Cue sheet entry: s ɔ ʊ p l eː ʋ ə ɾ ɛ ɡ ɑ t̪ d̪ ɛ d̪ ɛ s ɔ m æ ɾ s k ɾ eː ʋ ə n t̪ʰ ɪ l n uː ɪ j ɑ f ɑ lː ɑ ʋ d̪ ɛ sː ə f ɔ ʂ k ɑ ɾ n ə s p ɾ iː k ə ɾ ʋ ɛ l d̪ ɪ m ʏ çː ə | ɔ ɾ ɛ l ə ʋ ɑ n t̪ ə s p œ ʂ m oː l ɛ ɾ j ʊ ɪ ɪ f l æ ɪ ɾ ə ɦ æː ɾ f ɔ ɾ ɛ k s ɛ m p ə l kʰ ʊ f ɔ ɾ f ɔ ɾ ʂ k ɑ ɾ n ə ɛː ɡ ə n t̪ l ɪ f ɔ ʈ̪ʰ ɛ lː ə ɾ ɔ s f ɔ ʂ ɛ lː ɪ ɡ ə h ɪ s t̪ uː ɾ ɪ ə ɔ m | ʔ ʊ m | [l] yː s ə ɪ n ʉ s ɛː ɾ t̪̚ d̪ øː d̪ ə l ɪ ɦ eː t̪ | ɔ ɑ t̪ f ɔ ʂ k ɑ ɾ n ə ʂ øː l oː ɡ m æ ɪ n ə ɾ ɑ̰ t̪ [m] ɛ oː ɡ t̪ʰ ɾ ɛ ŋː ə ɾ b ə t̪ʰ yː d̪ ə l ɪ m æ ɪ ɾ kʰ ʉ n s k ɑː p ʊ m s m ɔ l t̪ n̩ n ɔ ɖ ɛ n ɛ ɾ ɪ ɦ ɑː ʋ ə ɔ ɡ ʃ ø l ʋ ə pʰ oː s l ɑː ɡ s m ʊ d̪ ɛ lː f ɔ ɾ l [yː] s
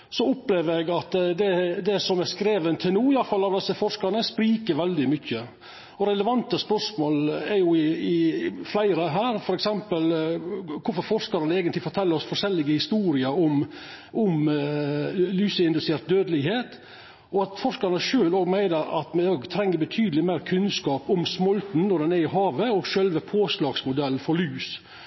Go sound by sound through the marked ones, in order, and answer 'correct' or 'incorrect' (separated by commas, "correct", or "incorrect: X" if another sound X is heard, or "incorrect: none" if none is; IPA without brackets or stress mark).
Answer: correct, correct, correct